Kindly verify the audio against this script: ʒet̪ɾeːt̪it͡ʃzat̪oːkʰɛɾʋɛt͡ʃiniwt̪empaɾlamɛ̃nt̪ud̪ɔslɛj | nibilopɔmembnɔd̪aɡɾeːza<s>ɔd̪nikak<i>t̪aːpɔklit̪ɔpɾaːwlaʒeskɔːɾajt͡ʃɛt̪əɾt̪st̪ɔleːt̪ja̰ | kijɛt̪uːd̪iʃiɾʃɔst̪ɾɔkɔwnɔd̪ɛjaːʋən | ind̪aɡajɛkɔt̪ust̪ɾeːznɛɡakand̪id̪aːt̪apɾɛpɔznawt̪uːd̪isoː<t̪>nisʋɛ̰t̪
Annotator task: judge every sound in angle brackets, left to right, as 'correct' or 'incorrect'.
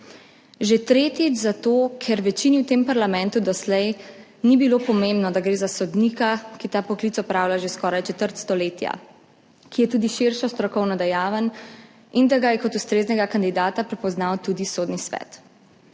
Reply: correct, correct, incorrect

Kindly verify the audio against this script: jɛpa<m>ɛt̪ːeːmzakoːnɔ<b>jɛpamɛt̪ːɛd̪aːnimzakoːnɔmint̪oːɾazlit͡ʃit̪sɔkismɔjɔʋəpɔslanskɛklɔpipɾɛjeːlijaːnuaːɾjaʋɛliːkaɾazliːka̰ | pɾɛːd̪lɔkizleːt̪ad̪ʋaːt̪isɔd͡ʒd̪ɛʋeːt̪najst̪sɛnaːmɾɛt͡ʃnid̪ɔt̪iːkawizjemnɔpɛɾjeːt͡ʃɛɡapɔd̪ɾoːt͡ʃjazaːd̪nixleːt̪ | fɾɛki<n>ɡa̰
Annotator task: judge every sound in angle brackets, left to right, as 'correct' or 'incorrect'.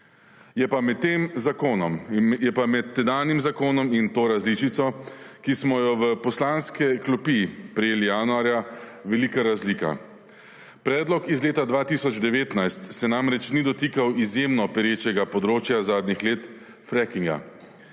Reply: correct, incorrect, incorrect

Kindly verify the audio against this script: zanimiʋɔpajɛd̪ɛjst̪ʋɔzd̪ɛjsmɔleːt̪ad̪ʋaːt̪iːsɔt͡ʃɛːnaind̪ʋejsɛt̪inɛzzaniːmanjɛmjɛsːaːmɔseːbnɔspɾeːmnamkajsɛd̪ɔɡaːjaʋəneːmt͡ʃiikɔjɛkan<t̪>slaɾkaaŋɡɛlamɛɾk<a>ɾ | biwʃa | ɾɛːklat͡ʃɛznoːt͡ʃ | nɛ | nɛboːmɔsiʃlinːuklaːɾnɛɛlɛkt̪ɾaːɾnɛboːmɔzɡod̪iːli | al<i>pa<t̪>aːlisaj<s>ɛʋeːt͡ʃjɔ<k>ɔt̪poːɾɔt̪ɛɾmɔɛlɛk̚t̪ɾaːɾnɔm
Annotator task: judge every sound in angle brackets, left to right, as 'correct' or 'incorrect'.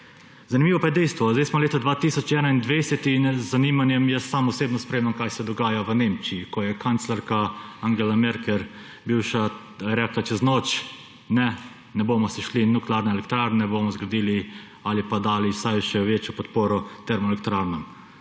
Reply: correct, incorrect, correct, incorrect, incorrect, incorrect

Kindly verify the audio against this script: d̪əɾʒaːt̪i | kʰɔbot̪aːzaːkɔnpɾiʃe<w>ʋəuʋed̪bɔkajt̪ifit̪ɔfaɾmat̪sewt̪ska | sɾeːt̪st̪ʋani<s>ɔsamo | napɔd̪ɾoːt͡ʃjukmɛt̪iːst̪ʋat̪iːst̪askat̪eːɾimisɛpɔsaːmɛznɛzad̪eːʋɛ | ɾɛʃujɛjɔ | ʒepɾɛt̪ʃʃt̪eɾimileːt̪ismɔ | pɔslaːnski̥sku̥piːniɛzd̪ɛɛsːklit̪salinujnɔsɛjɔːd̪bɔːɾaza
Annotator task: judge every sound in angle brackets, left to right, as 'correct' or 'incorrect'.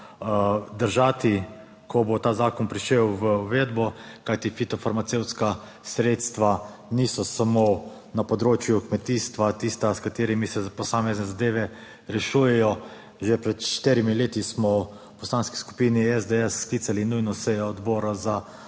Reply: correct, correct

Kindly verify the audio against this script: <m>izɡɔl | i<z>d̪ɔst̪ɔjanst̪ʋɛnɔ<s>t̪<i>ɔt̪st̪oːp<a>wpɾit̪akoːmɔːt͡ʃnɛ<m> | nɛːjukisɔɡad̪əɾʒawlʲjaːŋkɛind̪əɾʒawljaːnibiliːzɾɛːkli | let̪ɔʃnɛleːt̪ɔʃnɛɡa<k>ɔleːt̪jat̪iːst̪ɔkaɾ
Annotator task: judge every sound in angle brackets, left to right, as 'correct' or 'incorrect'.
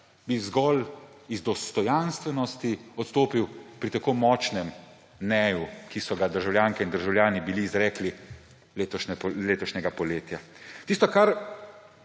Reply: incorrect, correct, correct, correct, incorrect, correct, incorrect

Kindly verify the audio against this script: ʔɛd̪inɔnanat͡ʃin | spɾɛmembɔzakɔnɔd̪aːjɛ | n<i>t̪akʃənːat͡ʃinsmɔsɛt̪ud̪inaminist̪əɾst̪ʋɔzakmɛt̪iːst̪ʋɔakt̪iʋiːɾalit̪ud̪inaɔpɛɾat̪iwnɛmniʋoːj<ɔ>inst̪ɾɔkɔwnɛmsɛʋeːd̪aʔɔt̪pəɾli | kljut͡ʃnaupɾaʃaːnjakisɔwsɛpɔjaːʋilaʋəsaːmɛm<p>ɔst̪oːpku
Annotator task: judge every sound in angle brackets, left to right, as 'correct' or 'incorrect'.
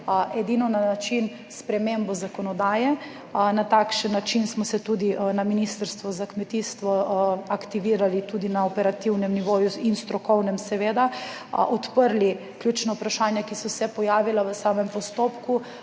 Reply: incorrect, incorrect, correct

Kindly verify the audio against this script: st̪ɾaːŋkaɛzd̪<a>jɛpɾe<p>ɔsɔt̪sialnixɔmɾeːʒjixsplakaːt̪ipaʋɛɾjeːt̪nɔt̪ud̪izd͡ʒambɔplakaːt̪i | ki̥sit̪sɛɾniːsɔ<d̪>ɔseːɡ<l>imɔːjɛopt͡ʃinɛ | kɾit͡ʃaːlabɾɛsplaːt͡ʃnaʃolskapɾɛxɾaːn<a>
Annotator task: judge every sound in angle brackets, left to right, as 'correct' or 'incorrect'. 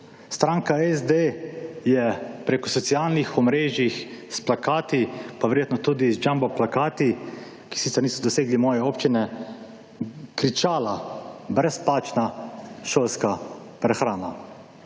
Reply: incorrect, incorrect, correct, correct, correct

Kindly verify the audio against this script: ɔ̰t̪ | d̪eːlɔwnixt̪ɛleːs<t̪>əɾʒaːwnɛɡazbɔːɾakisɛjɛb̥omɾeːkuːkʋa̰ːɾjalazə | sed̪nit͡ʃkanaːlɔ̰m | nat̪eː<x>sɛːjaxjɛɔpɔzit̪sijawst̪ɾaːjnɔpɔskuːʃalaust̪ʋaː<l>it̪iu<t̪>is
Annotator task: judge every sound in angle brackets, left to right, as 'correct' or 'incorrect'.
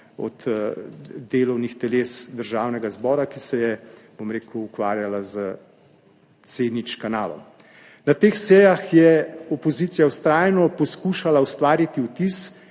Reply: incorrect, correct, incorrect, correct

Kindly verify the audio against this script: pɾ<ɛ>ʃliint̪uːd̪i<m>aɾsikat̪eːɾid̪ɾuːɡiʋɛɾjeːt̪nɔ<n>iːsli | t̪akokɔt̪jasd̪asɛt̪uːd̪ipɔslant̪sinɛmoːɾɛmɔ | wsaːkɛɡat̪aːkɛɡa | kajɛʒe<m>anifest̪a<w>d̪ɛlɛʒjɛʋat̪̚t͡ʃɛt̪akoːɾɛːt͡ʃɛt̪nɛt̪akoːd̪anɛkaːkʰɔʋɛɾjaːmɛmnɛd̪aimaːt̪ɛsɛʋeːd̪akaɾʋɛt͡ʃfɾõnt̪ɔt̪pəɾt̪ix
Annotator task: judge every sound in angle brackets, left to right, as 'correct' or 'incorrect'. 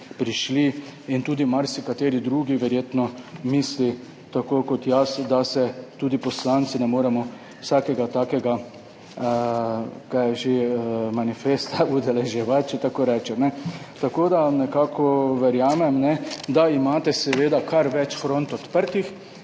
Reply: incorrect, correct, incorrect, correct, incorrect

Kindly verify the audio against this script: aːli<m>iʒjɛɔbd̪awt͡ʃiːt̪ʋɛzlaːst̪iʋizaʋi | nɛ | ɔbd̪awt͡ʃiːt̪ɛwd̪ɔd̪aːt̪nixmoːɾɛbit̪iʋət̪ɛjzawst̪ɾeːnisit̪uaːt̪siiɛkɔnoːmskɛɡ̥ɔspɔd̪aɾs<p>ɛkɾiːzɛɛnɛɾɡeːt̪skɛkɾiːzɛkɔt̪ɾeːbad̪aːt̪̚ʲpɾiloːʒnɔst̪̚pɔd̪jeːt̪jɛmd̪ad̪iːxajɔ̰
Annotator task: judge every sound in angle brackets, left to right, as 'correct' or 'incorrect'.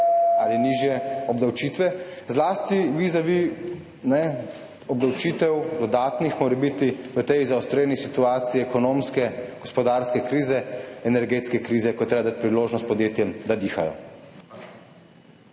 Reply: incorrect, incorrect

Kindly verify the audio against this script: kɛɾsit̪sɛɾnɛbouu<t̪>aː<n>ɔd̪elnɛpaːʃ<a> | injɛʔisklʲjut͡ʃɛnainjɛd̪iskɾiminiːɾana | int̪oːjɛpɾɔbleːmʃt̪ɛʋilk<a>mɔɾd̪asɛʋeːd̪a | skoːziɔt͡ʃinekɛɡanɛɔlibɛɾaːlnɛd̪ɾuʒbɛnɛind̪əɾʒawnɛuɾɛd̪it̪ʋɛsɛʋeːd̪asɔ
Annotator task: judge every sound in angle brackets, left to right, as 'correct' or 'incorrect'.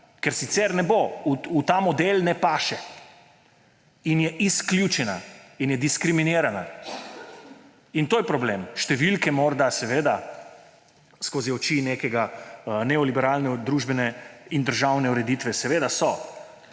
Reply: correct, incorrect, incorrect, incorrect

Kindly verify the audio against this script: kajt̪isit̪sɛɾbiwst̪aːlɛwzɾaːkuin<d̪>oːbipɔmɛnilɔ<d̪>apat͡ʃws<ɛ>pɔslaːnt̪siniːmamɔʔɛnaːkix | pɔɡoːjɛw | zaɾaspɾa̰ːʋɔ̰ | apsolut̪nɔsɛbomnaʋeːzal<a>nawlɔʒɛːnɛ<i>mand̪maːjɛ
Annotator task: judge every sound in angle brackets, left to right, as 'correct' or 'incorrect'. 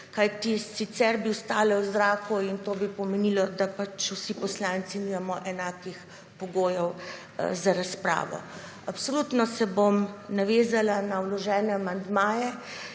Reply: incorrect, correct, incorrect, correct, incorrect

